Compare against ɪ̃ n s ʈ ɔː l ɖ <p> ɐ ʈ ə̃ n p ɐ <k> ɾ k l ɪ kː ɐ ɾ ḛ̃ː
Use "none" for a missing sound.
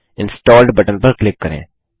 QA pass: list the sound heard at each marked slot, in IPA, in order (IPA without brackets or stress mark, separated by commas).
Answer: b, none